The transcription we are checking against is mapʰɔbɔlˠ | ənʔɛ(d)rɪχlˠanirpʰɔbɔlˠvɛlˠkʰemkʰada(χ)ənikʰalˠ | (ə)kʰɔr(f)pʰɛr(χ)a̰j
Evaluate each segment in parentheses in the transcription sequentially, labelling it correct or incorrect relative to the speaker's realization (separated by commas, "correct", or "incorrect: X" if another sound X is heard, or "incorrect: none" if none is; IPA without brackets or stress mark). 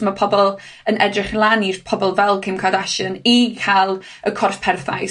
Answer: correct, incorrect: ʃ, correct, correct, incorrect: θ